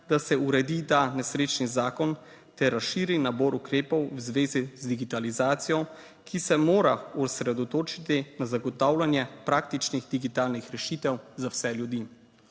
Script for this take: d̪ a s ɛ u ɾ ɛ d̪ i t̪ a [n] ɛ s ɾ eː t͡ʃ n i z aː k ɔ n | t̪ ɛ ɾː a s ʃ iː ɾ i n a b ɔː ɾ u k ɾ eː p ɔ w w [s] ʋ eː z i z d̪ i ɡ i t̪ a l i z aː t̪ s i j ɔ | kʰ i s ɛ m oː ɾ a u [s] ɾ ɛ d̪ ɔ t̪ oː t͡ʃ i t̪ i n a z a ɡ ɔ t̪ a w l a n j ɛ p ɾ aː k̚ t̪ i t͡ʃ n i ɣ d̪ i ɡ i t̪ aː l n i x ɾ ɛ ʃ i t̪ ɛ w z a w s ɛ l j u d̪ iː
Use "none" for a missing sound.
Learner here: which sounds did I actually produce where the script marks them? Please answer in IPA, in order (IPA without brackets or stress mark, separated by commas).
n, z, s